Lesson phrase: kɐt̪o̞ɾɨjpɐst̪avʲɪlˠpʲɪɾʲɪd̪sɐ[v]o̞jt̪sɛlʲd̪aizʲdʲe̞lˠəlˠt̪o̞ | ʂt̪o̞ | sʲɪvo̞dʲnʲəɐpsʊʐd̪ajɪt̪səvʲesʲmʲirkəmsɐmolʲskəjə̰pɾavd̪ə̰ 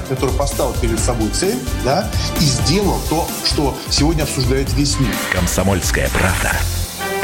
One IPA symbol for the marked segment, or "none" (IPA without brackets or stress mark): b